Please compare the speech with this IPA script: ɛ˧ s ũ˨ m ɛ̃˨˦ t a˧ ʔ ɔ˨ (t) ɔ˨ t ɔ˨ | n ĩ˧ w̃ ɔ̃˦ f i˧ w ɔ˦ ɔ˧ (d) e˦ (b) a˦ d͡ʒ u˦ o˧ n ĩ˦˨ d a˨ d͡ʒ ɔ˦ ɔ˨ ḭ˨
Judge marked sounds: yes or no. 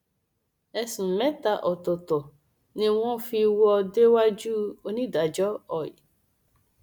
yes, yes, no

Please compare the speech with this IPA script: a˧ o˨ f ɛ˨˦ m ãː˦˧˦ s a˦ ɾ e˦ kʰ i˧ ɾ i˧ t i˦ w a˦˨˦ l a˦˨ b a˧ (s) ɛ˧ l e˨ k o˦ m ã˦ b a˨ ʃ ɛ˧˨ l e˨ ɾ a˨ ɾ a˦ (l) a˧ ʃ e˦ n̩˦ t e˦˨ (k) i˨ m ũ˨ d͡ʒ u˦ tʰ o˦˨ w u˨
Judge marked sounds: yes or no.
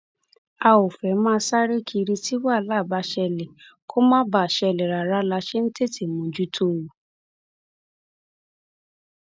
no, yes, no

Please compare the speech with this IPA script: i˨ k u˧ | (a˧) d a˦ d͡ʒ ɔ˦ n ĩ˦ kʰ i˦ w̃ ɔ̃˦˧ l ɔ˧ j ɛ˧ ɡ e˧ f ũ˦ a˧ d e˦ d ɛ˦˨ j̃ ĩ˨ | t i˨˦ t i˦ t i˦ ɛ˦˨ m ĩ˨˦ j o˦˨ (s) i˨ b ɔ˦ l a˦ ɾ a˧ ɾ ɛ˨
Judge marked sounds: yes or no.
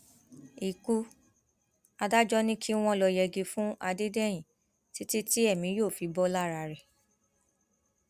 yes, no

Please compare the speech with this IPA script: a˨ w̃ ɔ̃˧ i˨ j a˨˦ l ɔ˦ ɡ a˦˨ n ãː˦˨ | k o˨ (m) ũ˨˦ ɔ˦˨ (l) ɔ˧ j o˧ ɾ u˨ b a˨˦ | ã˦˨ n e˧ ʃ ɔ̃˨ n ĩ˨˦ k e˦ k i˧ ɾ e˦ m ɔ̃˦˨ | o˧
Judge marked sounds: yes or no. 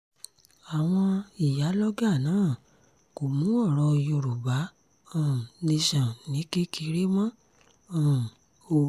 yes, no

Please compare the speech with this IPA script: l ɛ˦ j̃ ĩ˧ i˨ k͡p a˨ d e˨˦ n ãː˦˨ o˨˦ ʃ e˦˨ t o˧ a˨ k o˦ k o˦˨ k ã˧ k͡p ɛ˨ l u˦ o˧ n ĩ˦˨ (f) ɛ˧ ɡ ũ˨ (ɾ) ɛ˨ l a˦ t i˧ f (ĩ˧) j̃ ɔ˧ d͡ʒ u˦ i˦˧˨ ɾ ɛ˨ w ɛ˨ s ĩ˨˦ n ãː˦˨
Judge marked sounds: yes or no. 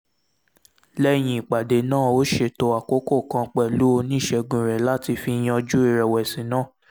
no, yes, no

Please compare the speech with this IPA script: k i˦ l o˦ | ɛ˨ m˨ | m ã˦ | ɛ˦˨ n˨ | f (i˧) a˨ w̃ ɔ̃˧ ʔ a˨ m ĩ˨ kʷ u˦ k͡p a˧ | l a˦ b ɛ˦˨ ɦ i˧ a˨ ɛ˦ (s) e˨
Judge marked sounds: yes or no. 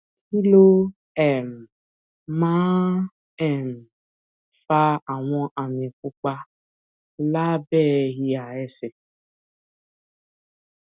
no, yes

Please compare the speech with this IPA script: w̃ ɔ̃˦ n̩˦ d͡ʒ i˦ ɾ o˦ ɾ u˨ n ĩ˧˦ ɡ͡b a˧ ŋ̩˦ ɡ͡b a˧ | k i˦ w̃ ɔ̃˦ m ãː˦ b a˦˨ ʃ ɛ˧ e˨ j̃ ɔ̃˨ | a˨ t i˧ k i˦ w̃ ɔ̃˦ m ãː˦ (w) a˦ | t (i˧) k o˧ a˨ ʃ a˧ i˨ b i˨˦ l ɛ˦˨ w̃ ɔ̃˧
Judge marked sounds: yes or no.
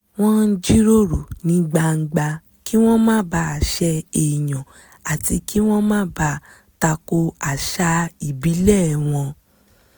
no, no

